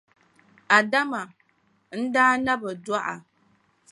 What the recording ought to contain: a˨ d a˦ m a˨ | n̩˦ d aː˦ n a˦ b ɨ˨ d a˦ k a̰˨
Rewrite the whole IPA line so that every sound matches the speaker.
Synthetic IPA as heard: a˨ d a˦ m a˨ | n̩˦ d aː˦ n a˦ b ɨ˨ d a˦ ʔ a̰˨